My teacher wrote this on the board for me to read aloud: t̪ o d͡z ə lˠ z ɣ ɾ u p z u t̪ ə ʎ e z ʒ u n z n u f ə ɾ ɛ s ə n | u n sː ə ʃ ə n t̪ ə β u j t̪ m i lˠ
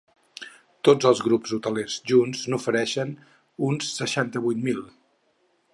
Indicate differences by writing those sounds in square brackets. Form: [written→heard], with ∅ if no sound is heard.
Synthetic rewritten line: t̪ o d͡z ə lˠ z ɣ ɾ u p z u t̪ ə [ʎ→l] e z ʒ u n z n u f ə ɾ ɛ [s→ʃ] ə n | u n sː ə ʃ [ə→a] n t̪ ə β u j t̪ m i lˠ